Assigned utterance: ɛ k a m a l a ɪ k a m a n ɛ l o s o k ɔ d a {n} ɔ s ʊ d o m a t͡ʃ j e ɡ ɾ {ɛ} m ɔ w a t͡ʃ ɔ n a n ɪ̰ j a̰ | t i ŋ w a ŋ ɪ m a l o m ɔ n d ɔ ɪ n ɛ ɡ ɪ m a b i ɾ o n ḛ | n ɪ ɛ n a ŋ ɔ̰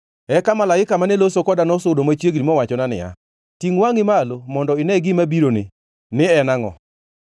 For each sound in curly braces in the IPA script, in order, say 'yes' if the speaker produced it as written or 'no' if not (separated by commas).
yes, no